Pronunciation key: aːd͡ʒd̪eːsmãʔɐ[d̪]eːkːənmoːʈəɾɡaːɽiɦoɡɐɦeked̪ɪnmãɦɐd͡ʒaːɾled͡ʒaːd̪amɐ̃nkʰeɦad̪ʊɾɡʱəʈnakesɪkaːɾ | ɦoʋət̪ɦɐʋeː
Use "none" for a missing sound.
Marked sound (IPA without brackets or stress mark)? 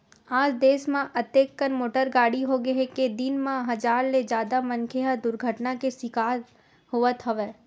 t̪